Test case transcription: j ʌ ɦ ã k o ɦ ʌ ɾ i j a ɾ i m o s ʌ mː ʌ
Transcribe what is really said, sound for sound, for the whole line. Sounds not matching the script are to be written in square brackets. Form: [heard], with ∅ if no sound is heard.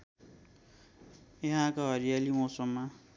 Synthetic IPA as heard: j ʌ ɦ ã k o ɦ ʌ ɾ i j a [l] i m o s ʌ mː [a]